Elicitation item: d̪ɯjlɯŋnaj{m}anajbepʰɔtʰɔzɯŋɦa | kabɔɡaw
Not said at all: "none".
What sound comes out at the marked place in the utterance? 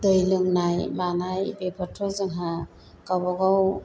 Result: m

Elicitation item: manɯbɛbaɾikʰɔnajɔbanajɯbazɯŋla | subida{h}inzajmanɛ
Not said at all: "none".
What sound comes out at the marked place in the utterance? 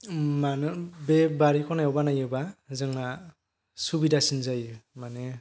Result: s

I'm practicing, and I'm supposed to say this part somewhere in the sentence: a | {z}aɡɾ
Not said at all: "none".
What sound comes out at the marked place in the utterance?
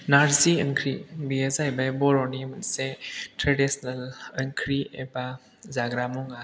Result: z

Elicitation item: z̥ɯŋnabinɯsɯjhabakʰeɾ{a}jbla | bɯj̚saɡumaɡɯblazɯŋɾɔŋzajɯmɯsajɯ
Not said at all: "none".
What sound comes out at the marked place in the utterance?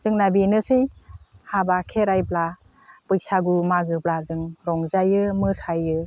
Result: a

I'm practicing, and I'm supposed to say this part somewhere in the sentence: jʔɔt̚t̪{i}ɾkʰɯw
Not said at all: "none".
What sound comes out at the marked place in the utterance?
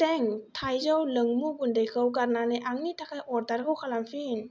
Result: a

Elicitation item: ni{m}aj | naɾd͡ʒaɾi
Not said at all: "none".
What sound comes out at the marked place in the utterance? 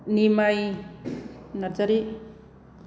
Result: m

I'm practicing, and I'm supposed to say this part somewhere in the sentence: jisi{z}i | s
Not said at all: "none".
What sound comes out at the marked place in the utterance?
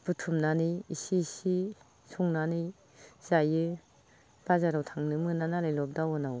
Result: s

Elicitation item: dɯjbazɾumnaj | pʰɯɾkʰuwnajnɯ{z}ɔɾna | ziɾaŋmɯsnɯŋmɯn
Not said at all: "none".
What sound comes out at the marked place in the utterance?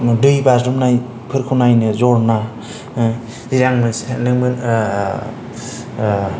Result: z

